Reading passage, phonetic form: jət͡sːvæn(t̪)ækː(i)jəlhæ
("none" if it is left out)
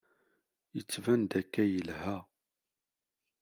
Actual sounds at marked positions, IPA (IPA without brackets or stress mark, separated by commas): d̪, æ